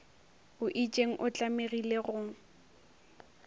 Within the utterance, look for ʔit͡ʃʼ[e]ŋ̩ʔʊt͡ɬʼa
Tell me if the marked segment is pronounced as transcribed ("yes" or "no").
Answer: yes